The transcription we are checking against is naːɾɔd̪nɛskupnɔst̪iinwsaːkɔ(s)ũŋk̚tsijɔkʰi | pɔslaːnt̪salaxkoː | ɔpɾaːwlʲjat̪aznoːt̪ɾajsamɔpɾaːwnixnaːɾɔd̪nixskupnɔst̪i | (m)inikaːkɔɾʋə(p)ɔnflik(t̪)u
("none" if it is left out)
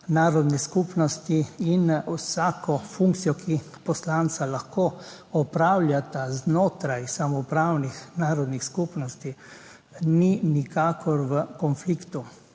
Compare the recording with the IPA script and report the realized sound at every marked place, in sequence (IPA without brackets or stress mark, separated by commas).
f, n, k, t̪